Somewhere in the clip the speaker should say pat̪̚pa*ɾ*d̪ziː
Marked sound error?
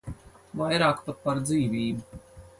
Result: no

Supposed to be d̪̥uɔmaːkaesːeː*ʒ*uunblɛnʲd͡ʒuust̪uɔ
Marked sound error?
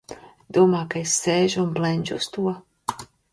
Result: no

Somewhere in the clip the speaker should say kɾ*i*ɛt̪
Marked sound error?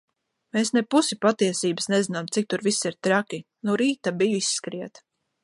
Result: no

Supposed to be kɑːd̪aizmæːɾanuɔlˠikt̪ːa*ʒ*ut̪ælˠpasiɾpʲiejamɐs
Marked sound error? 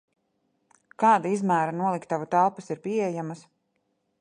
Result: yes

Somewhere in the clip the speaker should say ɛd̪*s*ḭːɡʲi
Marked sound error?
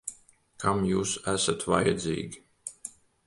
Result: yes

